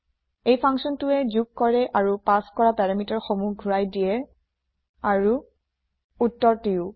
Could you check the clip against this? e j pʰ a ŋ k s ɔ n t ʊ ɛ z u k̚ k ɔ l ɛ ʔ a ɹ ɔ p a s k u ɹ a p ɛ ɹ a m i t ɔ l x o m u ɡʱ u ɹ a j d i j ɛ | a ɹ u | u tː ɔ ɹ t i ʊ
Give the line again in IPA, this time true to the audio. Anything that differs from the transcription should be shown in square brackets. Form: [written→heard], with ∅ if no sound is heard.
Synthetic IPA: e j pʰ a ŋ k s ɔ n t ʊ ɛ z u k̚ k ɔ [l→ɹ] ɛ ʔ a ɹ [ɔ→u] p a s k [u→ɔ] ɹ a p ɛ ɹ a m i t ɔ [l→ɹ] x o m u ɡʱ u ɹ a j d i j ɛ | a ɹ u | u tː ɔ ɹ t i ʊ